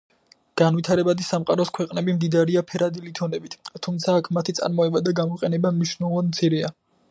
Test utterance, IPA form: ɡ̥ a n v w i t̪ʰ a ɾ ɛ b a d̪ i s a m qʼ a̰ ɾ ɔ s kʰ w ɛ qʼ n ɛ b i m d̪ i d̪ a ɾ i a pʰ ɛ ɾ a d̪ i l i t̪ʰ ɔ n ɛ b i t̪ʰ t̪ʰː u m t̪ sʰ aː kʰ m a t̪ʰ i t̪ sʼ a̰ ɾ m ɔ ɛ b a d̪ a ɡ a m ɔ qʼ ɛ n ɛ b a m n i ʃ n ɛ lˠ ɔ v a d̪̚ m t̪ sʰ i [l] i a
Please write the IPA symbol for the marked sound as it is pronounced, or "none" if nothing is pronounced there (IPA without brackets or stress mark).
ɾ